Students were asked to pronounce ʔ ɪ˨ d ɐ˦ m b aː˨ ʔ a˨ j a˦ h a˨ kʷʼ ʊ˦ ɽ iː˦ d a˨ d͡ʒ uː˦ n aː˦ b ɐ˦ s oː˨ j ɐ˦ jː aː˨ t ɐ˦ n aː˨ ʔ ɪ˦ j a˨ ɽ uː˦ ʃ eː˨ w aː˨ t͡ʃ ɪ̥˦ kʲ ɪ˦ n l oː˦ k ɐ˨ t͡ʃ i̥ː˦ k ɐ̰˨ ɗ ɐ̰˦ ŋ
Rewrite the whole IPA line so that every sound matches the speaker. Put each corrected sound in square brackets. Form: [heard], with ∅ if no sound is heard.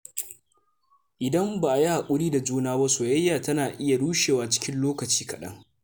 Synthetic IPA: ʔ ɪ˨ d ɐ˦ m b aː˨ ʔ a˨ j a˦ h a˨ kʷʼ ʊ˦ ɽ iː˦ d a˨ d͡ʒ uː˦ n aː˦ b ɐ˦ s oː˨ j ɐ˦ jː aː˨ t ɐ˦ n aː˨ ʔ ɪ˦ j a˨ ɽ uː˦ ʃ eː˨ w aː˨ t͡ʃ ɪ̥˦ kʲ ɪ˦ n l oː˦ k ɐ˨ t͡ʃ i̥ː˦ k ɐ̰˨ ɗ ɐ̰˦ ŋ